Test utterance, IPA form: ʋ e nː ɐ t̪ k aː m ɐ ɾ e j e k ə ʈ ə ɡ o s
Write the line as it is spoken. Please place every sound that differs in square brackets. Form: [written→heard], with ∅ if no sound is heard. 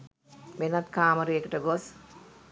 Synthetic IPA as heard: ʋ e [nː→n] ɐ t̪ k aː m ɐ ɾ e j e k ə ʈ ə ɡ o s